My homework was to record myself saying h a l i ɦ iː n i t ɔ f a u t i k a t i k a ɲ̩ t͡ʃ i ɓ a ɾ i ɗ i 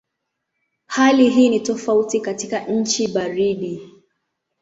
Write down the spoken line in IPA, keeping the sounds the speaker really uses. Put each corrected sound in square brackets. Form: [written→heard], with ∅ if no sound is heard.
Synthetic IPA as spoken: h a l i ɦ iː n i t ɔ f a u t i k a t i k a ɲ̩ t͡ʃ i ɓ a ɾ i ɗ i